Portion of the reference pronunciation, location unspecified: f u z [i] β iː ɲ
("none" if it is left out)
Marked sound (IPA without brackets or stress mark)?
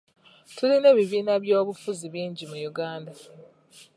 i